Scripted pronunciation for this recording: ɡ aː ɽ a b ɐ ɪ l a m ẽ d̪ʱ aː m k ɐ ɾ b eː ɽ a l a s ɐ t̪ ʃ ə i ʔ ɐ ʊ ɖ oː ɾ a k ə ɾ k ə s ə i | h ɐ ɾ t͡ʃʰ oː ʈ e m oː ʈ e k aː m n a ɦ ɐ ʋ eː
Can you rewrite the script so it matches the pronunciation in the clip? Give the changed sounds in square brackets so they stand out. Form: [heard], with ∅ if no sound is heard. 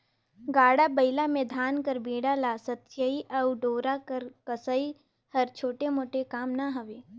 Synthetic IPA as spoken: ɡ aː ɽ a b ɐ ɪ l a m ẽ d̪ʱ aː [n] k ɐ ɾ b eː ɽ a l a s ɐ t̪ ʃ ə i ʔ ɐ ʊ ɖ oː ɾ a k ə ɾ k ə s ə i | h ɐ ɾ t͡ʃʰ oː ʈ e m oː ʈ e k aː m n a ɦ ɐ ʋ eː